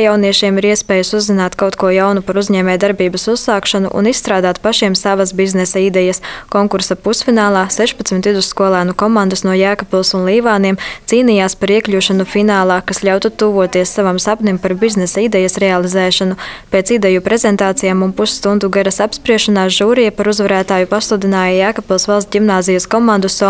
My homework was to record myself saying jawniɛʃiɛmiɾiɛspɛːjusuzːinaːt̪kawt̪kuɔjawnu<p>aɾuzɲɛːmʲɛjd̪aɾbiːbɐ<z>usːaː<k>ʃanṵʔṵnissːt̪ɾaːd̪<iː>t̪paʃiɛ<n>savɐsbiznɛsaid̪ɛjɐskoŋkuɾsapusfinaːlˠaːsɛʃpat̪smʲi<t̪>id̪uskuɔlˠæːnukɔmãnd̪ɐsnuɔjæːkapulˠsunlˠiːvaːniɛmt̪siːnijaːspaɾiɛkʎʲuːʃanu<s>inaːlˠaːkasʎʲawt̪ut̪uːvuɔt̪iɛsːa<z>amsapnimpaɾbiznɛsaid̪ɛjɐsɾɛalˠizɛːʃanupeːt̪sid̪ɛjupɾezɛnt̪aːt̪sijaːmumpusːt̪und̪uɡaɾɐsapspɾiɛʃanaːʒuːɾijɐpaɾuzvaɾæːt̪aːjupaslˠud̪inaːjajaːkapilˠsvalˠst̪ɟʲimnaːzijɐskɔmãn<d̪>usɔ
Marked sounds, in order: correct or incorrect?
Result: correct, incorrect: s, correct, incorrect: aː, incorrect: m, correct, incorrect: f, incorrect: v, correct

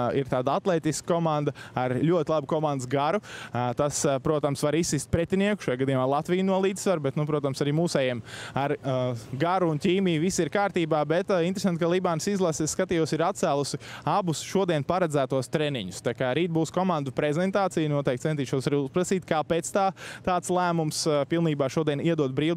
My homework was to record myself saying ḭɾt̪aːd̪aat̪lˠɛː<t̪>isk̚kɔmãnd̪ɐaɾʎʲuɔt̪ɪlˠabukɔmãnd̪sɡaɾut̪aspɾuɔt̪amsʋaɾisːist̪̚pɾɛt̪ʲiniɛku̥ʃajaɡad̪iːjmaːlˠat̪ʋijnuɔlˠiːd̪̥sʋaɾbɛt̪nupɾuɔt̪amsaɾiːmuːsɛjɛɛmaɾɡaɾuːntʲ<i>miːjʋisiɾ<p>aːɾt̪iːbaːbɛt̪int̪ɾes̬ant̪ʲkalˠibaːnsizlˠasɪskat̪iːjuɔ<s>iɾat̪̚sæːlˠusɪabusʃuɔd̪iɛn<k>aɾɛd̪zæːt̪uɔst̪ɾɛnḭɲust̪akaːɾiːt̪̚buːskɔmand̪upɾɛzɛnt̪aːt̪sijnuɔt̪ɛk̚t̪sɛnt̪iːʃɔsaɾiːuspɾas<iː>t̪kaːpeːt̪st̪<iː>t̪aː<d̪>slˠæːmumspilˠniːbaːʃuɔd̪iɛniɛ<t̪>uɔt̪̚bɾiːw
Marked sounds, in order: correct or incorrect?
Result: correct, incorrect: iː, incorrect: k, correct, incorrect: p, correct, incorrect: aː, incorrect: t̪, incorrect: d̪

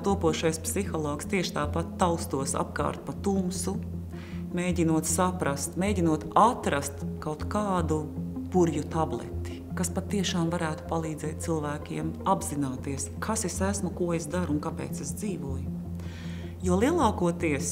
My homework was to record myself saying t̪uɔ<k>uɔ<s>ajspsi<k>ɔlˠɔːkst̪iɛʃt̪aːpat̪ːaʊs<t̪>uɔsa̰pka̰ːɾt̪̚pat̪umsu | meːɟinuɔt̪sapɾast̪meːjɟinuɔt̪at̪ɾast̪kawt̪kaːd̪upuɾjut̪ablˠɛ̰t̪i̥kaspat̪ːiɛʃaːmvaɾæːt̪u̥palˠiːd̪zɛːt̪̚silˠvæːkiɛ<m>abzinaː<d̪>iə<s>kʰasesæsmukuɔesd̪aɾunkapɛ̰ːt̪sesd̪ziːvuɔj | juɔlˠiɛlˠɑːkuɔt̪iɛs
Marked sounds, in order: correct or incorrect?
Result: incorrect: p, incorrect: ʃ, incorrect: x, correct, correct, incorrect: t̪, correct

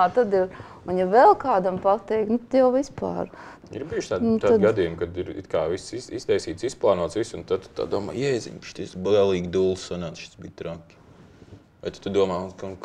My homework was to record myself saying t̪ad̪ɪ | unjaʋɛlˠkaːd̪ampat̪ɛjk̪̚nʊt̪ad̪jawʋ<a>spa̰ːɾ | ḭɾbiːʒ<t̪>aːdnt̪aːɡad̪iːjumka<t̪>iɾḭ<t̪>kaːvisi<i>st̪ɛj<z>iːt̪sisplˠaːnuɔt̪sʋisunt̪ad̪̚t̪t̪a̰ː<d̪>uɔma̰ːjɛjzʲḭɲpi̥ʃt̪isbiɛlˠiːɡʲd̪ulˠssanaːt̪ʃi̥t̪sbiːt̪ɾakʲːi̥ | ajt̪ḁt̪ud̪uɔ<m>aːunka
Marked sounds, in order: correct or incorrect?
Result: incorrect: i, correct, incorrect: d̪, correct, correct, incorrect: s, correct, correct

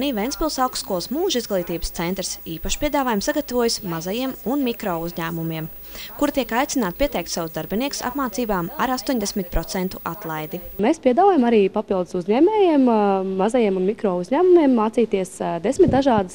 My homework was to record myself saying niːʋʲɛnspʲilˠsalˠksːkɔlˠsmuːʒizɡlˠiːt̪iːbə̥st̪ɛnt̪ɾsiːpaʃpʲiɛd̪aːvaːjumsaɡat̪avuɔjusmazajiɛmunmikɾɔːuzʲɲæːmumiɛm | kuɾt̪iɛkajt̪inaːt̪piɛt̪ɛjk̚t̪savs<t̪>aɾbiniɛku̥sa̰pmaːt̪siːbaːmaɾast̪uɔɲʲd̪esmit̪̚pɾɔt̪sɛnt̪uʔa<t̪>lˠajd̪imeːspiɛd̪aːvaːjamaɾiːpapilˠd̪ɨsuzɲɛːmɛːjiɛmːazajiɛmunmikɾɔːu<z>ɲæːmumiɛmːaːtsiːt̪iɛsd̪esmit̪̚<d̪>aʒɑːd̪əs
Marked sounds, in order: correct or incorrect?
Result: incorrect: d̪, correct, correct, correct

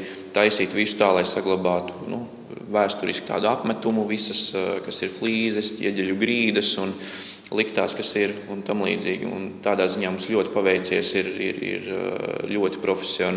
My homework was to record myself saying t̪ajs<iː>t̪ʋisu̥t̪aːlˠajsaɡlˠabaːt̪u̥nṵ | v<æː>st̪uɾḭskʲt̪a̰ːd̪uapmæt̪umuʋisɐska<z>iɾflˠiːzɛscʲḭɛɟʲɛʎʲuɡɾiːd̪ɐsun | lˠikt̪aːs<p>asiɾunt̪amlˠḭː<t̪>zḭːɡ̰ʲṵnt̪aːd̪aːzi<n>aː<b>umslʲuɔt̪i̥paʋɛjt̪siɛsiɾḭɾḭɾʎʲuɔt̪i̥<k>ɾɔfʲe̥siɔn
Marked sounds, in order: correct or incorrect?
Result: correct, correct, incorrect: s, incorrect: k, incorrect: d̪, incorrect: ɲ, incorrect: m, incorrect: p

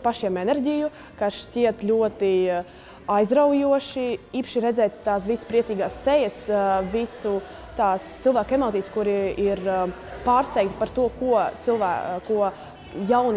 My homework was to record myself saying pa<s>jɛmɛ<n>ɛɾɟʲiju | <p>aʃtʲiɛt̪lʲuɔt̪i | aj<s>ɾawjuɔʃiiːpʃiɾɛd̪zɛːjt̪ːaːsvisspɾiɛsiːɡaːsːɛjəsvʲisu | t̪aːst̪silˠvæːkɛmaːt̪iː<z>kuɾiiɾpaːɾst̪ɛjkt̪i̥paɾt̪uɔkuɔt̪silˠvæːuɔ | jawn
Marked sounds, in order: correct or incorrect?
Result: incorrect: ʃ, correct, incorrect: k, incorrect: z, incorrect: s

